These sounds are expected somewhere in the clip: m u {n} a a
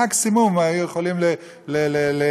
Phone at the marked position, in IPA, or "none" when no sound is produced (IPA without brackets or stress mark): m